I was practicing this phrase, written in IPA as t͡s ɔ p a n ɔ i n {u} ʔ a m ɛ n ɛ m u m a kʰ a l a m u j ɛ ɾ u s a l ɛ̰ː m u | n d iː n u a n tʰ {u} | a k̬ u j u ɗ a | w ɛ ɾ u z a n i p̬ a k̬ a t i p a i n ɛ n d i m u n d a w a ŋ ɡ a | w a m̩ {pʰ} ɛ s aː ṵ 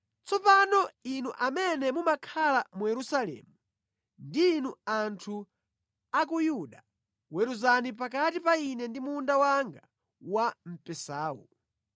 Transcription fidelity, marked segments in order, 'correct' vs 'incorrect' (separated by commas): correct, correct, incorrect